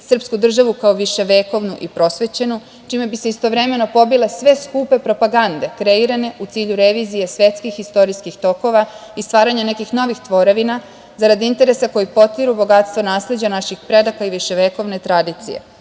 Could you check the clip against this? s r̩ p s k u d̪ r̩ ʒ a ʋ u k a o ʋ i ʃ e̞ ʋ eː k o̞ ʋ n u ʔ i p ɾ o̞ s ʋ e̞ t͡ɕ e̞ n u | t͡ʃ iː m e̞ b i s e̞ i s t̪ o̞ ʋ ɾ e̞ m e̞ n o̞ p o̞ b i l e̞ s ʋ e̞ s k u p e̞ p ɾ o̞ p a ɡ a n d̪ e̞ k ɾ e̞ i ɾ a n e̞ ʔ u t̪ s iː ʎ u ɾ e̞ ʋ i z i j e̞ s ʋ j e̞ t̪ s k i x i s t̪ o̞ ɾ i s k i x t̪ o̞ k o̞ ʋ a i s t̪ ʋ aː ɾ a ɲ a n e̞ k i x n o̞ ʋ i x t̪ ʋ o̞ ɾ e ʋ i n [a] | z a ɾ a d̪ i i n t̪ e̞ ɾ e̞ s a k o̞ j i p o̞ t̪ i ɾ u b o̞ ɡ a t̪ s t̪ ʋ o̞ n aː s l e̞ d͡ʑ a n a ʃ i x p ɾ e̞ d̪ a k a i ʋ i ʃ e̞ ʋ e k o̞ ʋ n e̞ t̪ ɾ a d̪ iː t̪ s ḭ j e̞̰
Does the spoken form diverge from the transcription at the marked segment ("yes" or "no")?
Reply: no